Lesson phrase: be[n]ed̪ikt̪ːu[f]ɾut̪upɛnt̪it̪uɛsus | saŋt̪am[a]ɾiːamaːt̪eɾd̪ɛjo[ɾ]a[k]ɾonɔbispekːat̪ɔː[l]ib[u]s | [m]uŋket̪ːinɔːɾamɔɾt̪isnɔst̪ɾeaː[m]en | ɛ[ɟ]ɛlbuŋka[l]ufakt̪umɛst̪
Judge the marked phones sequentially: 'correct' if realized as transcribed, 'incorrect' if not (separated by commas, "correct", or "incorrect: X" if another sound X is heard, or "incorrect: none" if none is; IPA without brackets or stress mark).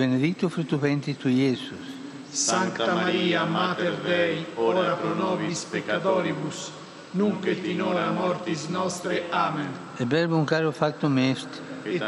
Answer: correct, correct, correct, correct, incorrect: p, incorrect: ɾ, correct, incorrect: n, correct, incorrect: b, incorrect: ɾ